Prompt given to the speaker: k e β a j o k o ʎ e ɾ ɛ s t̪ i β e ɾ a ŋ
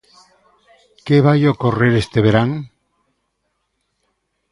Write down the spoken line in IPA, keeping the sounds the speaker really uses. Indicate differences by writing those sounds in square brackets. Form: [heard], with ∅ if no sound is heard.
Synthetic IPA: k e β a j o k o [r] e ɾ [e] s t̪ [e] β e ɾ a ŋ